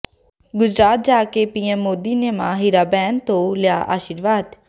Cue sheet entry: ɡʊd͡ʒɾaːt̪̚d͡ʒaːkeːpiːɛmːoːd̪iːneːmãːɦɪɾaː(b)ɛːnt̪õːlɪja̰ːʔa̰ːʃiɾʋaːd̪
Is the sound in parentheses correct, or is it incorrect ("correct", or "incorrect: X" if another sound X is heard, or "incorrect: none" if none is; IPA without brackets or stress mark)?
correct